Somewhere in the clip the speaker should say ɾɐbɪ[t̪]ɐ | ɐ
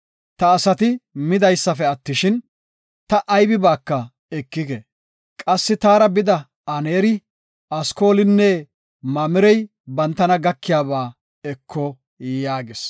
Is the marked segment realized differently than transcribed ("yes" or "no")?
yes